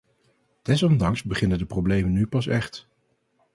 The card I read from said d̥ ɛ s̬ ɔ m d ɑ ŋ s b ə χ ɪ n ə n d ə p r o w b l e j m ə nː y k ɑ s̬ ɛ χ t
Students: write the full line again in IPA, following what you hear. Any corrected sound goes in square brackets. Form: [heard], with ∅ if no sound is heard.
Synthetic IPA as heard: d̥ ɛ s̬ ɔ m d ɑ ŋ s b ə χ ɪ n ə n d ə p r o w b l e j m ə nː y [p] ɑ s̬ ɛ χ t